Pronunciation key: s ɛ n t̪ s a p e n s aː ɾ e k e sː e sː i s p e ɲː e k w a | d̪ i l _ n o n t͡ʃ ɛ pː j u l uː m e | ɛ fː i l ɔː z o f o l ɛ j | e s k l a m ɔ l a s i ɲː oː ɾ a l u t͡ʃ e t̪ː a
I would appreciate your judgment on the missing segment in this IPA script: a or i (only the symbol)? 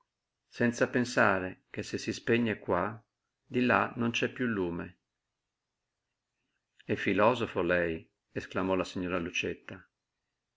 a